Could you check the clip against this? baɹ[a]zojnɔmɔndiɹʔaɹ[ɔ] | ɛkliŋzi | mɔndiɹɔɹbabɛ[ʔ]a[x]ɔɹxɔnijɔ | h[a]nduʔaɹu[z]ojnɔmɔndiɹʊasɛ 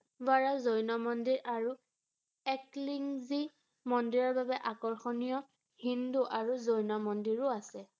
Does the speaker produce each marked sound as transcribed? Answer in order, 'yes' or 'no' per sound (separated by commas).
yes, no, yes, no, no, yes